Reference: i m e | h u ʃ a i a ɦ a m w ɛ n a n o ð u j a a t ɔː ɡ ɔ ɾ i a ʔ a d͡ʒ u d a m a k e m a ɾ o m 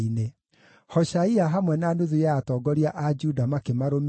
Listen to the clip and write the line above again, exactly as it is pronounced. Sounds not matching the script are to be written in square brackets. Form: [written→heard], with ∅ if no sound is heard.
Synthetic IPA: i [m→n] e | h [u→ɔ] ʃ a i a ɦ a m w ɛ n a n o ð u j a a t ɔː ɡ ɔ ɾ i a ʔ a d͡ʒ u d a m a k e m a ɾ o m